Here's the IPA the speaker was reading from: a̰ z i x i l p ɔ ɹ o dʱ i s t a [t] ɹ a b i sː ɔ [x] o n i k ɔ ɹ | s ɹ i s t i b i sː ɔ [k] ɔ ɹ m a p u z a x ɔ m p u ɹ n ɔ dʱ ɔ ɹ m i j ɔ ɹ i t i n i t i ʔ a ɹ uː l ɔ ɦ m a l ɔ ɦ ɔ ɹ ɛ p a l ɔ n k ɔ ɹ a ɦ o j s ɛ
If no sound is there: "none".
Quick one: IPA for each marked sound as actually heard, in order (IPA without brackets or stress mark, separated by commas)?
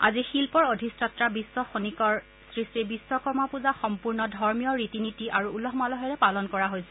t, x, k